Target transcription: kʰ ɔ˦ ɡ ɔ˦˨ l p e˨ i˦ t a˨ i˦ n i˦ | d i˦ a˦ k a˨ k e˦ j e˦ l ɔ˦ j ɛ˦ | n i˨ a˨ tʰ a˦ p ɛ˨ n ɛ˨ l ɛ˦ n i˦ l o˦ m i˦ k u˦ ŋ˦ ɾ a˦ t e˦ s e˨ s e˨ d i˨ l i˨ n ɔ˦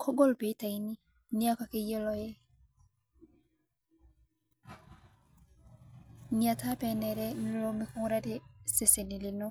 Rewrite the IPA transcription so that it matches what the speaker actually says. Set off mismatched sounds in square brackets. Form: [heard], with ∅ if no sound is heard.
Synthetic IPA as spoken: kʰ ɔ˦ ɡ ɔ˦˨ l p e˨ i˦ t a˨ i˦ n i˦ | [n] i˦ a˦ k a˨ k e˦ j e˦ l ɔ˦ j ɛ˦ | n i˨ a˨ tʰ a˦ p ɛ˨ n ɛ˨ [ɾ] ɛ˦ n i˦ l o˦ m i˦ k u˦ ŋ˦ ɾ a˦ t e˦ s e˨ s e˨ [n] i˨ l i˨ n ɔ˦